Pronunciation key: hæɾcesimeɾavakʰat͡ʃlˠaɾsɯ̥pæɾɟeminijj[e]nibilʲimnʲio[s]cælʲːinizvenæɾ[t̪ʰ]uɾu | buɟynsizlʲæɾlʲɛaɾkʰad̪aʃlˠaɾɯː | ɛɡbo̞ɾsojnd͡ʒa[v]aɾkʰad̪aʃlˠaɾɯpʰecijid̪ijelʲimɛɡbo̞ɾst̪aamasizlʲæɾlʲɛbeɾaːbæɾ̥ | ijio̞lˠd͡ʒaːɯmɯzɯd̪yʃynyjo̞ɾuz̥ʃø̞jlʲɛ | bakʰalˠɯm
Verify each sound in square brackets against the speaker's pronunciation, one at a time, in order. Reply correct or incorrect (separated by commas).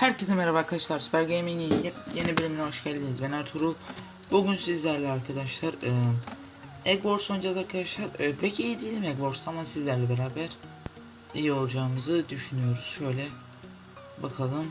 correct, incorrect, correct, incorrect